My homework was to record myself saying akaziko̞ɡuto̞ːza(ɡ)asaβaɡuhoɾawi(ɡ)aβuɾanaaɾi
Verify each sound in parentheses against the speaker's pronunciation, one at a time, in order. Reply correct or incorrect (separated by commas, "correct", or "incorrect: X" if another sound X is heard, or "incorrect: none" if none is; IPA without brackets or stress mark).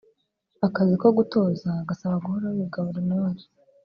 correct, correct